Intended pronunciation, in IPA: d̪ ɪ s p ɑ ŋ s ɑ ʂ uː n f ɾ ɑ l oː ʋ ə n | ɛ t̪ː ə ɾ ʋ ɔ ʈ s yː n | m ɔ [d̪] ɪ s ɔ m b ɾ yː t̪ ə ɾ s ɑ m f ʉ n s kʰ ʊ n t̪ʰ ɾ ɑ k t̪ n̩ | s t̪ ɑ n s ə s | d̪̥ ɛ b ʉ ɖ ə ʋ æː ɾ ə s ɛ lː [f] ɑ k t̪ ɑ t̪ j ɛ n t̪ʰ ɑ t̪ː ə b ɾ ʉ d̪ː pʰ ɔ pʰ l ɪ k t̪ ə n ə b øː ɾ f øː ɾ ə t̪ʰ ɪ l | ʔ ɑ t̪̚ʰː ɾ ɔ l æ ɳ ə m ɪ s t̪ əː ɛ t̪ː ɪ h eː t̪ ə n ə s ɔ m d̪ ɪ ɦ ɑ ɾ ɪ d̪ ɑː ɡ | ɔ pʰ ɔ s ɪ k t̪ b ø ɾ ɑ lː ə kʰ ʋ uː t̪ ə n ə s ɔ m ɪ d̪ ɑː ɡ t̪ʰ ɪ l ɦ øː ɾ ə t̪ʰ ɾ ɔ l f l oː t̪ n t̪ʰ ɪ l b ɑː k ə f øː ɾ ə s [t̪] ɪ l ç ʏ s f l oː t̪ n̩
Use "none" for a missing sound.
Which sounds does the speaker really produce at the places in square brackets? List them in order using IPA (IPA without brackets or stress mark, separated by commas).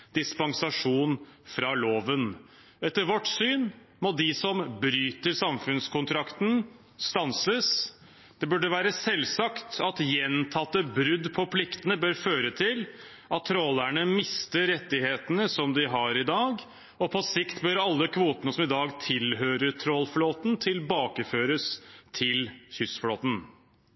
d̪, s, t̪ʰ